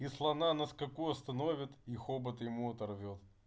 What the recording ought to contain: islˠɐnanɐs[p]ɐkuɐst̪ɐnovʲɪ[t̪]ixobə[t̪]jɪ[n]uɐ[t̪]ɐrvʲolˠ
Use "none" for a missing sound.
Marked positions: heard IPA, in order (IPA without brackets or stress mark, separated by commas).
k, t̪, t̪, m, t̪